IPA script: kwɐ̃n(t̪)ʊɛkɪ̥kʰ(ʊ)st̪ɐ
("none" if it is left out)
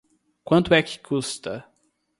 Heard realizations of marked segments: t̪, u

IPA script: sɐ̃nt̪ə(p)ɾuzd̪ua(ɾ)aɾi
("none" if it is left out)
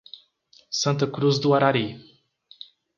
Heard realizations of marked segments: k, ɾ

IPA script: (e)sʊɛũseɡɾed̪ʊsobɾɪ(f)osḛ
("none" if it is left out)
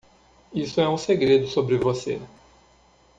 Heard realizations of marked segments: i, v

